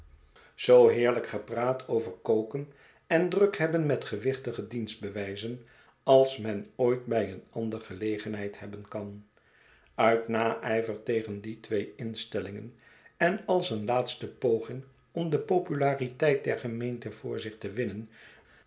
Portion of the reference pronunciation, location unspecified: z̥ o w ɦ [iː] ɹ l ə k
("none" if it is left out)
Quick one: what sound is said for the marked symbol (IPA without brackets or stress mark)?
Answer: ɪː